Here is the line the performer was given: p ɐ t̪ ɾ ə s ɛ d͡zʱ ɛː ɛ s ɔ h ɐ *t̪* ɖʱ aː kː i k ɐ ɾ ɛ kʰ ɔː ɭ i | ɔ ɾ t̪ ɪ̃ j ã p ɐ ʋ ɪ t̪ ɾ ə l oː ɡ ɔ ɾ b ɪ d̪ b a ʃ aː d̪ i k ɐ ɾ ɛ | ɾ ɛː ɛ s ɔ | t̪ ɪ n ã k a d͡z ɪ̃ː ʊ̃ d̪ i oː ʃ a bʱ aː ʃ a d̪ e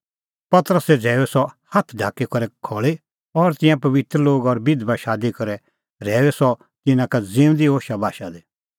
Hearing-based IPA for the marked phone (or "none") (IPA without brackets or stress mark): t̪ʰ